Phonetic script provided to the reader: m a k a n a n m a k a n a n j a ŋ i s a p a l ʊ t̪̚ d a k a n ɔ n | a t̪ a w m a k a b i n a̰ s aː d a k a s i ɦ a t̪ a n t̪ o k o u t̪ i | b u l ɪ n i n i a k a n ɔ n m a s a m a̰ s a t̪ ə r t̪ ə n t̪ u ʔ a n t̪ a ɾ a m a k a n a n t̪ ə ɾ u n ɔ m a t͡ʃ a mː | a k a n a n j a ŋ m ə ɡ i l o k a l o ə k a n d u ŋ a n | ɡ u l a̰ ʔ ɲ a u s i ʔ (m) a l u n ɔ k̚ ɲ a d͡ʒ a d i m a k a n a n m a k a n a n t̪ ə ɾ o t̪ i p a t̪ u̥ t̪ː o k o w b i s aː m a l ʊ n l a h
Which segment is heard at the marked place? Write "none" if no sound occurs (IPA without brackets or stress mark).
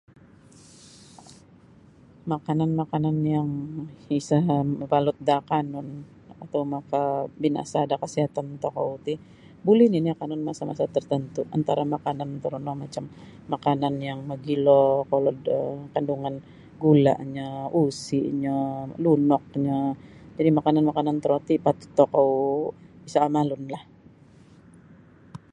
ɲ